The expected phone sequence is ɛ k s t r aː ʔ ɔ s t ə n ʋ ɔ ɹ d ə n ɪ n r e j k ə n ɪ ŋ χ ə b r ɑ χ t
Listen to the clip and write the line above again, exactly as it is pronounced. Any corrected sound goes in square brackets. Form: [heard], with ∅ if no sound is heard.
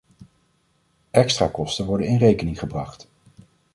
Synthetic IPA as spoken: ɛ k s t r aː [k] ɔ s t ə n ʋ ɔ ɹ d ə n ɪ n r e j k ə n ɪ ŋ χ ə b r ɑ χ t